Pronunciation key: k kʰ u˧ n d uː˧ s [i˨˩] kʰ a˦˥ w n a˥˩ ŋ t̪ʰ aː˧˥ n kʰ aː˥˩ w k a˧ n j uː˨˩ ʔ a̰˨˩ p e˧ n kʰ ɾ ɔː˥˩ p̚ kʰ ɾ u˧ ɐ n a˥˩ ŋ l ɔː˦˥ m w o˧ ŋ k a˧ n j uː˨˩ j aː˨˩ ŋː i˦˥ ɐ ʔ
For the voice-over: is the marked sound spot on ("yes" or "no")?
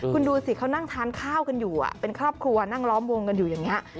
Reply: yes